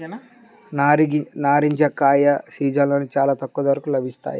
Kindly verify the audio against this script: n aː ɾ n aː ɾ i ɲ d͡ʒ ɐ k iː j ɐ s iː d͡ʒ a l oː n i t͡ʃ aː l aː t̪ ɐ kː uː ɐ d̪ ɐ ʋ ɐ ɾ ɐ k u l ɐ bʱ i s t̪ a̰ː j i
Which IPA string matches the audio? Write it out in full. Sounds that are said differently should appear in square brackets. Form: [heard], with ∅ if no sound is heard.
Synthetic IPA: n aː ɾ n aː ɾ i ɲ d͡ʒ ɐ k [aː] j ɐ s iː d͡ʒ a l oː n i t͡ʃ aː l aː t̪ ɐ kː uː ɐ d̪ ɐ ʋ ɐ ɾ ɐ k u l ɐ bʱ i s t̪ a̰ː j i

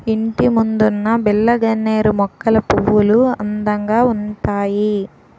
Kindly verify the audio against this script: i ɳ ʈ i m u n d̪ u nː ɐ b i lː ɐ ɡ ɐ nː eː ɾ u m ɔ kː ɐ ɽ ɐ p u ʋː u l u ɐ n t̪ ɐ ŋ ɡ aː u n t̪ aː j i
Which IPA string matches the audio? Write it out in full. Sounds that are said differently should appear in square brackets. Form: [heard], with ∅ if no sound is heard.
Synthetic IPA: i ɳ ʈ i m u n d̪ u nː ɐ b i lː ɐ ɡ ɐ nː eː ɾ u m ɔ kː ɐ [l] ɐ p u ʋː u l u ɐ n [d̪] ɐ ŋ ɡ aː u n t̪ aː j i

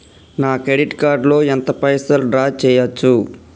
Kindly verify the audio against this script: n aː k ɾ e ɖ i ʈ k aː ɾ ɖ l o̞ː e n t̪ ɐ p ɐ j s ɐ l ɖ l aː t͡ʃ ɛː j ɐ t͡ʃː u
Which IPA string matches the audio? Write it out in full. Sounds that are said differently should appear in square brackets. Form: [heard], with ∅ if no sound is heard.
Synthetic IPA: n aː k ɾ e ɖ i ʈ k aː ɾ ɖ l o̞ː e n t̪ ɐ p ɐ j s ɐ l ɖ [ɾ] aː t͡ʃ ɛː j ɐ t͡ʃː u

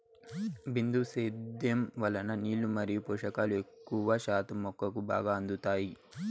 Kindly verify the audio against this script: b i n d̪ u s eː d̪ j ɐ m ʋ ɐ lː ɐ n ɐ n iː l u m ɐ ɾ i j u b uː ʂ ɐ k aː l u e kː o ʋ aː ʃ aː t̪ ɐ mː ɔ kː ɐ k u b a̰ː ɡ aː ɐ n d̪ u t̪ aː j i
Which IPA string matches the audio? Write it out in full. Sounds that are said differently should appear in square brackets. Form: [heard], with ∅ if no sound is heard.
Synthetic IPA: b i n d̪ u s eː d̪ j ɐ m ʋ ɐ [l] ɐ n ɐ n iː l u m ɐ ɾ i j u [p] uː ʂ ɐ k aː l u e kː [u] ʋ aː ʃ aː t̪ ɐ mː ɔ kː ɐ k u b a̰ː ɡ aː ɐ n d̪ u t̪ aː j i

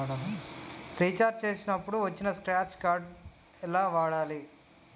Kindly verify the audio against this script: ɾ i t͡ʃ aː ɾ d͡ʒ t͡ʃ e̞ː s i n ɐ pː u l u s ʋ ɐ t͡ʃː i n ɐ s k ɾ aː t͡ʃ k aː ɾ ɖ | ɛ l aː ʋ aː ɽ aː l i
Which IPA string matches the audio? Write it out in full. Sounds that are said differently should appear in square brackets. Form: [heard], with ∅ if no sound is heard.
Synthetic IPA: ɾ i t͡ʃ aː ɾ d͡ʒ t͡ʃ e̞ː s i n ɐ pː u [ɽ] u [∅] ʋ ɐ t͡ʃː i n ɐ s k ɾ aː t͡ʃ k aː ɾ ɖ | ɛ l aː ʋ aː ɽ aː l i

